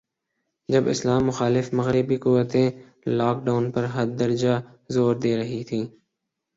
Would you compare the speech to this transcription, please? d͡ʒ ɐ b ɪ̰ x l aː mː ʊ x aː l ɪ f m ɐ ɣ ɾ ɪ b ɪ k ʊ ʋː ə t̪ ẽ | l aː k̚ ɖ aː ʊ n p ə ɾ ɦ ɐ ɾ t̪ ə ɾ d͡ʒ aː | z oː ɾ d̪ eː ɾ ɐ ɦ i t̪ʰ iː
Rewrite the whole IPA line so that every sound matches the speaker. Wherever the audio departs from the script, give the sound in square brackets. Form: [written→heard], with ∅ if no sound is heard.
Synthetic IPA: d͡ʒ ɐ b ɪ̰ [x→s] l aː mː ʊ x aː l ɪ f m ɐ ɣ ɾ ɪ b [ɪ→i] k ʊ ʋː ə t̪ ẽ | l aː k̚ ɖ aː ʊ n p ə ɾ ɦ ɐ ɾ [t̪→d̪] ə ɾ d͡ʒ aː | z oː ɾ d̪ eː ɾ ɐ ɦ i t̪ʰ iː